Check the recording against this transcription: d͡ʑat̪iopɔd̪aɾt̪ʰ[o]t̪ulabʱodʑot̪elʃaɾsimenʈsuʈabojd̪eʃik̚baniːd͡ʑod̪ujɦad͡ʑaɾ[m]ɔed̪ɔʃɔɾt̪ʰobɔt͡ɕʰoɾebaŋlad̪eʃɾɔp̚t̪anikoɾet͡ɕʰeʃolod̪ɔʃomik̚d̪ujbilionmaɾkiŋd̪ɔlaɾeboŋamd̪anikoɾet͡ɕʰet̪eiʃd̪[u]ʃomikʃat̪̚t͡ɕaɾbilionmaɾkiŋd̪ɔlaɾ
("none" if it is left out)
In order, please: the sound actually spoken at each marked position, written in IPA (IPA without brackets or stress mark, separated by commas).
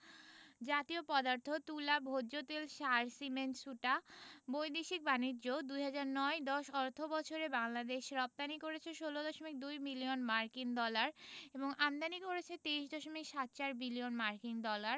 o, n, ɔ